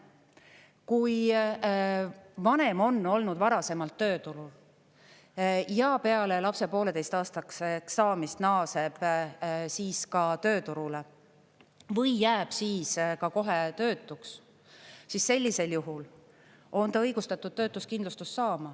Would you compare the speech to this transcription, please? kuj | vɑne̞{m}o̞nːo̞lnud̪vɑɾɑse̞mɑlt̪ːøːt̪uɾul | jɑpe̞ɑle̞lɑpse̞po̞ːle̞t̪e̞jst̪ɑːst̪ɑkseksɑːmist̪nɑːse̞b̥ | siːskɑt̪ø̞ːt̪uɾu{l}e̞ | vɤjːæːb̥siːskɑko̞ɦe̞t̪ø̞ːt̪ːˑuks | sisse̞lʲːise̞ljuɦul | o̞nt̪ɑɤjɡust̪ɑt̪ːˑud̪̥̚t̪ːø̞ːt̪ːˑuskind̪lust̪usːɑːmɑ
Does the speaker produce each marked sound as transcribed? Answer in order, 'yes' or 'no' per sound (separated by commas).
yes, yes